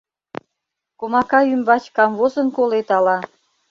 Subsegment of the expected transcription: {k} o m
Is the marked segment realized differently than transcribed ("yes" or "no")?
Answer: no